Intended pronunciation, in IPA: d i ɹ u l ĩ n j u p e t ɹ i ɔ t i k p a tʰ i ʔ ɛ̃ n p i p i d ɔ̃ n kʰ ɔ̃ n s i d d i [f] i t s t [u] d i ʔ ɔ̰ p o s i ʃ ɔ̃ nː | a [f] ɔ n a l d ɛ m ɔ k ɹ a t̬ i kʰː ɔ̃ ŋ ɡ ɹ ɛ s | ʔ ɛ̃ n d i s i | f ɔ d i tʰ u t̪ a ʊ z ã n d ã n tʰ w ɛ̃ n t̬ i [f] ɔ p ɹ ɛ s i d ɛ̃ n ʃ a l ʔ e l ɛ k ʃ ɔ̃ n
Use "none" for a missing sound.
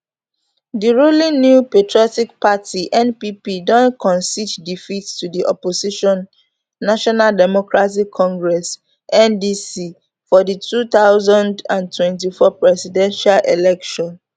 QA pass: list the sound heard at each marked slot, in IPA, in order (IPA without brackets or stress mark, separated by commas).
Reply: f, u, ʃ, f